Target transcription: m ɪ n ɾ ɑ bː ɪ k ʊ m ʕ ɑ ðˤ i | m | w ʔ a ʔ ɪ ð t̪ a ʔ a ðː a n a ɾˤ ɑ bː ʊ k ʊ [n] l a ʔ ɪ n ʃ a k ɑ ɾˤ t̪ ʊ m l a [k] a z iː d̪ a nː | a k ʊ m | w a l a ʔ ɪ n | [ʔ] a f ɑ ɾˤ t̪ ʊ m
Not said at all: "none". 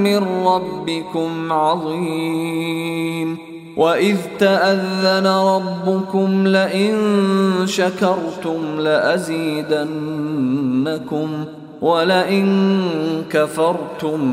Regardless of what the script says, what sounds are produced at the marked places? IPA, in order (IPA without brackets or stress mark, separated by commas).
m, ʔ, k